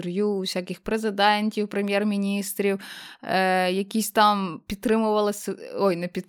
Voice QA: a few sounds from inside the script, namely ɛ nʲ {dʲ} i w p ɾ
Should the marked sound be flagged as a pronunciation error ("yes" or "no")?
yes